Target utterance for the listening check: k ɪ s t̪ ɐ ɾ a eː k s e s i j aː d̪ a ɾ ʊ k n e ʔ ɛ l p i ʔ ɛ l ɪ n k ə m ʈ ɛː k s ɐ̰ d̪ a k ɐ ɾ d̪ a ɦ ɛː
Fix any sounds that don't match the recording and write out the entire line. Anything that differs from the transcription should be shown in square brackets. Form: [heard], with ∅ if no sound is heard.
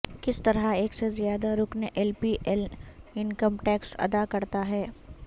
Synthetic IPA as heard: k ɪ s t̪ ɐ ɾ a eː k s e [z] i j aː d̪ a ɾ ʊ k n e ʔ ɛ l p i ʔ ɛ l ɪ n k ə m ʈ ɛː k s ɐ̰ d̪ a k ɐ ɾ [t̪] a ɦ ɛː